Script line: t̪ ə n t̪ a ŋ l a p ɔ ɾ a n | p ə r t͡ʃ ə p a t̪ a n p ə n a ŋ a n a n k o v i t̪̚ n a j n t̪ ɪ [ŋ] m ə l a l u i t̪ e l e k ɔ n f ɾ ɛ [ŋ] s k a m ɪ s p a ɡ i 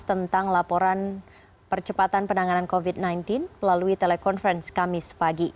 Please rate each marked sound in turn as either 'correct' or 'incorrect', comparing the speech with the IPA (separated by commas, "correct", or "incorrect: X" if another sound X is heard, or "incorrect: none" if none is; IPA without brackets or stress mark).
incorrect: n, incorrect: n